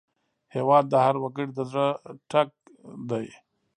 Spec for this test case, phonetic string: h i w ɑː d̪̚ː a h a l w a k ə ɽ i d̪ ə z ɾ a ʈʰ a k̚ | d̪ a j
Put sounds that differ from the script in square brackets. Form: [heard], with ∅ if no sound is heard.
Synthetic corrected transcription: h [e] w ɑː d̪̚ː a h a [ɾ] w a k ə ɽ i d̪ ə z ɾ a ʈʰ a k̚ | d̪ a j